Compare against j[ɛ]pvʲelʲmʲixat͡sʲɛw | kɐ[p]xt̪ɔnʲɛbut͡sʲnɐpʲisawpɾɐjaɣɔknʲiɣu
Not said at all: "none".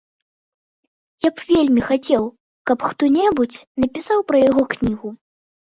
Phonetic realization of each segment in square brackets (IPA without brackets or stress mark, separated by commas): a, p